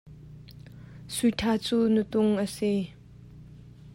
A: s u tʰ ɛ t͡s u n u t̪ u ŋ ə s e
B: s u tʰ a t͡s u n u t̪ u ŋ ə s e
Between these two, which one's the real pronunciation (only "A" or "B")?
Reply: B